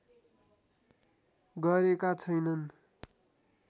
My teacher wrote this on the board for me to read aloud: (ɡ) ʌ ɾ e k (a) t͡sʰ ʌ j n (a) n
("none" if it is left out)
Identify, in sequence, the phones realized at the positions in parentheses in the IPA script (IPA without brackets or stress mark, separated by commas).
ɡ, a, ʌ